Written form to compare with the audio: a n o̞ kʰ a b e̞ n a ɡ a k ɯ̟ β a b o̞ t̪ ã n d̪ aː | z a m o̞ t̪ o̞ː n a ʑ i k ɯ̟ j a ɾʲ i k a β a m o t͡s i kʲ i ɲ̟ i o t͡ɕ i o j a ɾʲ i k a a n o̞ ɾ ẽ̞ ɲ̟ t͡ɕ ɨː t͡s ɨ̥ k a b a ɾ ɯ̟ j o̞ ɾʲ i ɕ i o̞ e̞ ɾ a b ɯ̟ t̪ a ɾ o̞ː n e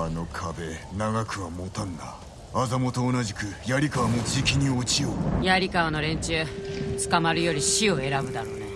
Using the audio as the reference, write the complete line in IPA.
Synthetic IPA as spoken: a n o̞ kʰ a b e̞ n a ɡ a k ɯ̟ β a m o̞ t̪ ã n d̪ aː | z a m o̞ t̪ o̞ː n a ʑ i k ɯ̟ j a ɾʲ i k a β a m o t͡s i kʲ i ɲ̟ i o t͡ɕ i o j a ɾʲ i k a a n o̞ ɾ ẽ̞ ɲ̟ t͡ɕ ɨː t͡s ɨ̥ k a m a ɾ ɯ̟ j o̞ ɾʲ i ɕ i o̞ e̞ ɾ a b ɯ̟ d̪ a ɾ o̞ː n e